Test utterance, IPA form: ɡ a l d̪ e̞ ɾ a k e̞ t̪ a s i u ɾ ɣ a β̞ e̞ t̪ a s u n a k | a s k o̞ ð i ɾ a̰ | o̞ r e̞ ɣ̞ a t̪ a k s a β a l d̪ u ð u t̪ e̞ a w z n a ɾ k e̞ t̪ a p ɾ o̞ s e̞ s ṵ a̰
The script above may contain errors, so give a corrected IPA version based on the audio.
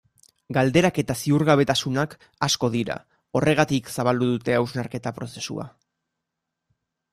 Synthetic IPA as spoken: ɡ a l d̪ e̞ ɾ a k e̞ t̪ a s i u ɾ ɣ a β̞ e̞ t̪ a s u n a k | a s k o̞ ð i ɾ a̰ | o̞ r e̞ ɣ̞ a t̪ i k s a β a l d̪ u ð u t̪ e̞ a w z n a ɾ k e̞ t̪ a p ɾ o̞ s e̞ s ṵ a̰